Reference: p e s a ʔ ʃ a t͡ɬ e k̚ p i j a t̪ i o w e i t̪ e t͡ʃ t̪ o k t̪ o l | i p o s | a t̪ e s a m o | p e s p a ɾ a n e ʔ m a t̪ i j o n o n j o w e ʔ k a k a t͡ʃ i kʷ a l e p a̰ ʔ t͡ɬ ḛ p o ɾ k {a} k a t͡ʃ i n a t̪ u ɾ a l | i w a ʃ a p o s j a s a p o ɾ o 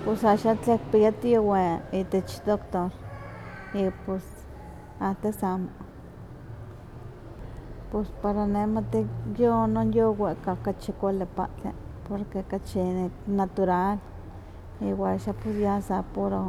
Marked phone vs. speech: incorrect: e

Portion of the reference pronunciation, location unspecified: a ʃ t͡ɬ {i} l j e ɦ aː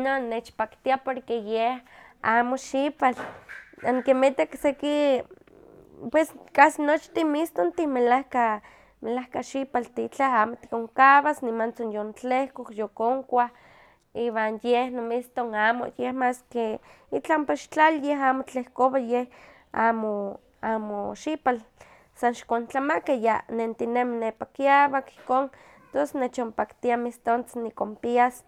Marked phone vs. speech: incorrect: a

